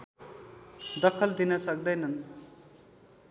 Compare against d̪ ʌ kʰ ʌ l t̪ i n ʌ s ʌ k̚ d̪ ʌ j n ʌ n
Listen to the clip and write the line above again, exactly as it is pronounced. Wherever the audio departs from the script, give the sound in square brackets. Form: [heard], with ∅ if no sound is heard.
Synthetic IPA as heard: d̪ ʌ kʰ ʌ l [d̪] i n ʌ s ʌ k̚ d̪ ʌ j n ʌ n